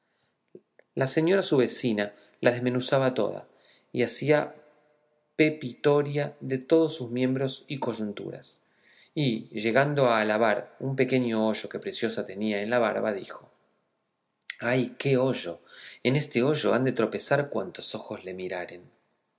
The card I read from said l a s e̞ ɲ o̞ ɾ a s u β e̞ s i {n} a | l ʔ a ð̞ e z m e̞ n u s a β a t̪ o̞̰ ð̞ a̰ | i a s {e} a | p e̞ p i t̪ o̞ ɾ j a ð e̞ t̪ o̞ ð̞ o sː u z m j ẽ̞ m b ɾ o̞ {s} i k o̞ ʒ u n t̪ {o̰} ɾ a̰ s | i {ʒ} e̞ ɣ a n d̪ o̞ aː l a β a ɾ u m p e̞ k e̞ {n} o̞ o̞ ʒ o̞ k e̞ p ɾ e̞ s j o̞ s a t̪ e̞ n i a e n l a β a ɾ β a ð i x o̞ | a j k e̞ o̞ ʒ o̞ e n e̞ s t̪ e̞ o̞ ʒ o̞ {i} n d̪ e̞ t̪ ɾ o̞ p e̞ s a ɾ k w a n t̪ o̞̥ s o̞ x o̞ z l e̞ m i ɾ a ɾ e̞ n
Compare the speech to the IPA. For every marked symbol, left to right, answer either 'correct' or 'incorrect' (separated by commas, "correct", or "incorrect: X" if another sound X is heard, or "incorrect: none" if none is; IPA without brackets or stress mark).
correct, incorrect: i, correct, incorrect: ṵ, correct, incorrect: ɲ, incorrect: a